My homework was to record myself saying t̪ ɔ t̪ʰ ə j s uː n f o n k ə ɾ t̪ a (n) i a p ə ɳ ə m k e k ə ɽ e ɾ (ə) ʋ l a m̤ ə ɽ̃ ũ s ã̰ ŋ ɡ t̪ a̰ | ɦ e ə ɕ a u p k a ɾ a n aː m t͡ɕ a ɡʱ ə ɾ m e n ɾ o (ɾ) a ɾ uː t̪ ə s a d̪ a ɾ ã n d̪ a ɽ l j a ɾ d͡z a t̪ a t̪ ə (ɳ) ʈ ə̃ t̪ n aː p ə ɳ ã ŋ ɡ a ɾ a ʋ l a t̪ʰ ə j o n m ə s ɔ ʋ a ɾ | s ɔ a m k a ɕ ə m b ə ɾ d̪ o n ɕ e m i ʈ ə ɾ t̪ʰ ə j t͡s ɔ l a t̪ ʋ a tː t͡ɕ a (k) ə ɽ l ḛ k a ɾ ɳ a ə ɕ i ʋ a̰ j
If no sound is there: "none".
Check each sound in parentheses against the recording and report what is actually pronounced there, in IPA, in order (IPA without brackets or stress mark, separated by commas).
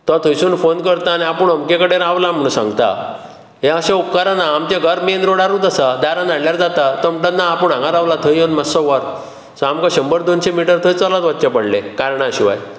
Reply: n, a, ɽ, m, p